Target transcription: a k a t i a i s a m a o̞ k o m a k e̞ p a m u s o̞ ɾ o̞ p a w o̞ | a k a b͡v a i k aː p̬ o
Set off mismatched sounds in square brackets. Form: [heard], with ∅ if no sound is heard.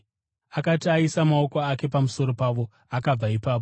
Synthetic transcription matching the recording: a k a t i a i s a m a o̞ k o [∅] a k e̞ p a m u s o̞ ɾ o̞ p a [ʋ] o̞ | a k a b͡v a i [p] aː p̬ o

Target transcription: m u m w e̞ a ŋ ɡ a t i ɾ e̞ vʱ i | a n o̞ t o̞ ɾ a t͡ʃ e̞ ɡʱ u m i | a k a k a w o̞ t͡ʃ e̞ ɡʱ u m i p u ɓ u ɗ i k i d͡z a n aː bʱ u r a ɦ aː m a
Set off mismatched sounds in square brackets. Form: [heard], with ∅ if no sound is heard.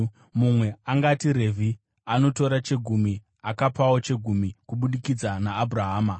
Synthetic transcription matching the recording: m u m w e̞ a ŋ ɡ a t i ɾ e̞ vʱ i | a n o̞ t o̞ ɾ a t͡ʃ e̞ ɡʱ u m i | a k a [p] a w o̞ t͡ʃ e̞ ɡʱ u m i [k] u ɓ u ɗ i k i d͡z a n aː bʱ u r a ɦ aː m a

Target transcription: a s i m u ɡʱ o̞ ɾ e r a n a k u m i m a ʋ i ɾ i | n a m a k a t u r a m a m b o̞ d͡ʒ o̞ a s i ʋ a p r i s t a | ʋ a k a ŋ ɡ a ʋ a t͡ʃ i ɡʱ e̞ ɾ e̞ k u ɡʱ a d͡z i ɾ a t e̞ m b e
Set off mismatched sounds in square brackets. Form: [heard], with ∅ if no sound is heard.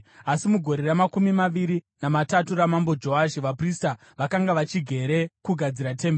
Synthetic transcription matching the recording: a s i m u ɡʱ o̞ ɾ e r a [m] a k u m i m a ʋ i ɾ i | n a m a [t] a t u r a m a m b o̞ d͡ʒ o̞ a [ʃ] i ʋ a p r i s t a | ʋ a k a ŋ ɡ a ʋ a t͡ʃ i ɡʱ e̞ ɾ e̞ k u ɡʱ a d͡z i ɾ a t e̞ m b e

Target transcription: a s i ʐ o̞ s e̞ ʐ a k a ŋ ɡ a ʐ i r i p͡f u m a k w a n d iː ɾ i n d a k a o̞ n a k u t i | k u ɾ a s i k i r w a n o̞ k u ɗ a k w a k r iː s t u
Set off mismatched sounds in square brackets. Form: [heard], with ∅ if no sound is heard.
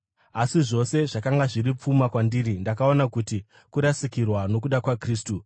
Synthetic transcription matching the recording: a s i ʐ o̞ s e̞ ʐ a k a ŋ ɡ a ʐ i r i p͡f u m a k w a n d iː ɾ i n d a k a o̞ n a k u t i | k u ɾ a s i k i r w a n o̞ k u ɗ a k w a k r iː s t u

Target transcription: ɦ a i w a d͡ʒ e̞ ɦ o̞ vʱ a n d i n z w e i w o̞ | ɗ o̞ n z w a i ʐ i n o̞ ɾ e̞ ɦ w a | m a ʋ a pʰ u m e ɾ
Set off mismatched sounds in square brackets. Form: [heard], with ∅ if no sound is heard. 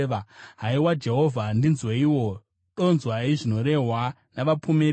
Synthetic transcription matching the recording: ɦ a i w a d͡ʒ e̞ ɦ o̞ vʱ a n d i n z w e i w o̞ | ɗ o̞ n z w a i ʐ i n o̞ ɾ e̞ ɦ w a | [n] a ʋ a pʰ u m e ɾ

